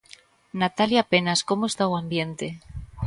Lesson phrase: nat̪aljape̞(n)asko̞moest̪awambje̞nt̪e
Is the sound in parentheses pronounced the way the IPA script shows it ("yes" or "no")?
yes